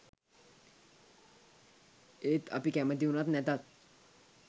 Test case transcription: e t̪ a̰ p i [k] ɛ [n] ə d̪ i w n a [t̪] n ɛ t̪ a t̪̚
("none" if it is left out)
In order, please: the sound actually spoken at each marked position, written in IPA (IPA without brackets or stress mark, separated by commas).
k, m, t̪